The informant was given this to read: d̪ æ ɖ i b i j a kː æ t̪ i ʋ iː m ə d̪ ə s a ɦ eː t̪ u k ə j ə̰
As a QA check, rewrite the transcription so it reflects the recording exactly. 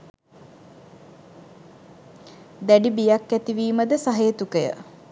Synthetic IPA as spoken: d̪ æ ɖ i b i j a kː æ t̪ i ʋ iː m ə d̪ ə s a ɦ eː t̪ u k ə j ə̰

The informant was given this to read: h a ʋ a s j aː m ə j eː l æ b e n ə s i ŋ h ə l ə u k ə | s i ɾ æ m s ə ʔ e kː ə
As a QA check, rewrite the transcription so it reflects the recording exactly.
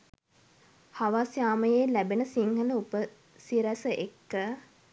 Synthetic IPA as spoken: h a ʋ a s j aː m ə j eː l æ b e n ə s i ŋ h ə l ə u p ə | s i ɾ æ s ə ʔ e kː ə

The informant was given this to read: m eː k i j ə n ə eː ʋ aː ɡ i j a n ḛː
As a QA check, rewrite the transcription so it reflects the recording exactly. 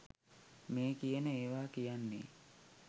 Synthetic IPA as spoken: m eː k i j ə n ə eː ʋ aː k i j a nː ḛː

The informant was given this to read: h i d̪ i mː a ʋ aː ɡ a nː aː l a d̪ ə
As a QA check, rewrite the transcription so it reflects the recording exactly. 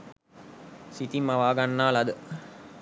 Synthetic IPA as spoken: s i t̪ i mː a ʋ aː ɡ a nː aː l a d̪ ə

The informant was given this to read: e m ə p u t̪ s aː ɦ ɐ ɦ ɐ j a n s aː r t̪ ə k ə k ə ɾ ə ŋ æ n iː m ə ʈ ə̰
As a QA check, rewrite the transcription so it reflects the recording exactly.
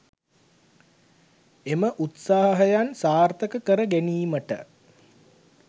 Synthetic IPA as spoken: e m ə ʔ u t̪ s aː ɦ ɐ ɦ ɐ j a n s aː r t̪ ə k ə k ə ɾ ə ɡ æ n iː m ə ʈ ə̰

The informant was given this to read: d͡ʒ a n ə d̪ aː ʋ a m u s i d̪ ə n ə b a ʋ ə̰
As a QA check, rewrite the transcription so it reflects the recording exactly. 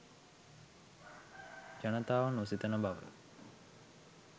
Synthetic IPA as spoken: d͡ʒ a n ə t̪ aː ʋ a n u s i t̪ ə n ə b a ʋ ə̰

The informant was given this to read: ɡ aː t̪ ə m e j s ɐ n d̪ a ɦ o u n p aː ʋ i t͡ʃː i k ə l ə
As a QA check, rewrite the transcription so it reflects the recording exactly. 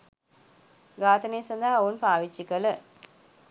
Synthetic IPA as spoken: ɡ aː t̪ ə n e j s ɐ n d̪ a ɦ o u n p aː ʋ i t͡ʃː i k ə l ə

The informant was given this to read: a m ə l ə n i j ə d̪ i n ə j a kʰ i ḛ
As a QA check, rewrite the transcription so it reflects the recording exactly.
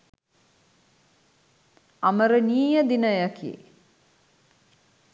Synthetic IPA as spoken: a m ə ɾ ə n iː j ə d̪ i n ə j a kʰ i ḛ

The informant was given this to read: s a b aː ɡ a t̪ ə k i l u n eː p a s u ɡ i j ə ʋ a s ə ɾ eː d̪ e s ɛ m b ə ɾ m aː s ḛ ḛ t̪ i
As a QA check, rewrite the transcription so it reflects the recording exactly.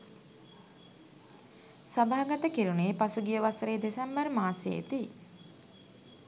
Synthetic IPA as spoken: s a b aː ɡ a t̪ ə k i ɾ u n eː p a s u ɡ i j ə ʋ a s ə ɾ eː d̪ e s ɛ m b ə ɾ m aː s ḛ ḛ t̪ i

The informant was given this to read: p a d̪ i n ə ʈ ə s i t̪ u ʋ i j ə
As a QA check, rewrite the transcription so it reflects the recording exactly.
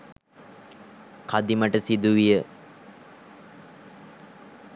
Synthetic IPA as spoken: k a d̪ i m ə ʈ ə s i d̪ u ʋ i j ə

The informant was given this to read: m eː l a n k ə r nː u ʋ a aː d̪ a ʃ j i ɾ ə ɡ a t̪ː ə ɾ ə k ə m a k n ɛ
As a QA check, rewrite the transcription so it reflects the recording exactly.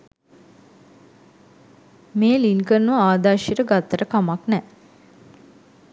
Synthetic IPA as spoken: m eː l i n k ə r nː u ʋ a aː d̪ a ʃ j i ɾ ə ɡ a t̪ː ə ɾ ə k a m a k n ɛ

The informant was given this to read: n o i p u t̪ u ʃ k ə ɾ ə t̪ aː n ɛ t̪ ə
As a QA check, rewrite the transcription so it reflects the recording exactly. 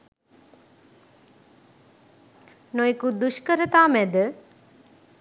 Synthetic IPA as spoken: n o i k u d̪ u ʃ k ə ɾ ə t̪ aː m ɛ d̪ ə

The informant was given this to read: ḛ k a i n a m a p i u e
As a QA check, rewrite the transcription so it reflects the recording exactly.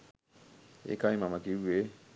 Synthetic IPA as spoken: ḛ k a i m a m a k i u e

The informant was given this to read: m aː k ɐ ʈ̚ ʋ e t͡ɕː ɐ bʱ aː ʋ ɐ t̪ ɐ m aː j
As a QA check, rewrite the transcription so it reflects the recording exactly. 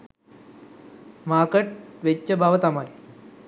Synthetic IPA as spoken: m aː k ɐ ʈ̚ ʋ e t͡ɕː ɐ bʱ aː ʋ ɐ t̪ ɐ m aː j

